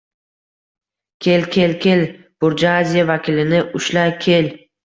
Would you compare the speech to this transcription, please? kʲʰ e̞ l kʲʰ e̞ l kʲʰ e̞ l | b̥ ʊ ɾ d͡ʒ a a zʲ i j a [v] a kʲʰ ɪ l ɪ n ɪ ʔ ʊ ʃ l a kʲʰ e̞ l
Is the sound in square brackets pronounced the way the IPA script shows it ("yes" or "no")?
yes